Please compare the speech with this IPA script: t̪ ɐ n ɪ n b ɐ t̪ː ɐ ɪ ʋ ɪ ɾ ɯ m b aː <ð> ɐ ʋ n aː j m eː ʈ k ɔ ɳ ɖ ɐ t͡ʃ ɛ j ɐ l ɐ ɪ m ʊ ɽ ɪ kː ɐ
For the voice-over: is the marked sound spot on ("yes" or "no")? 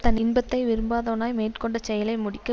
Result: yes